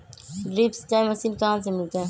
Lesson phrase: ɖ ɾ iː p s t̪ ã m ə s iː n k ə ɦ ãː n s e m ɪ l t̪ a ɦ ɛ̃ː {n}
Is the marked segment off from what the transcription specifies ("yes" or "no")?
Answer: yes